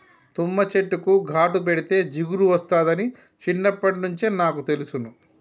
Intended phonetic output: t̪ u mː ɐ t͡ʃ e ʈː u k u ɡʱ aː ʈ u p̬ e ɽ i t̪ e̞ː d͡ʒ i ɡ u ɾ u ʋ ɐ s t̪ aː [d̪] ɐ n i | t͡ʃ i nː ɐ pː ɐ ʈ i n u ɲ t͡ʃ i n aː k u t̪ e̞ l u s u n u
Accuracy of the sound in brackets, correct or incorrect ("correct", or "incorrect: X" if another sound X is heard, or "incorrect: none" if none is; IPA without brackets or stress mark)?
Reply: correct